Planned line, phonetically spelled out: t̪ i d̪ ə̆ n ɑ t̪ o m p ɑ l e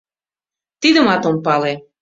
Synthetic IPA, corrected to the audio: t̪ i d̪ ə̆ m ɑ t̪ o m p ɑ l e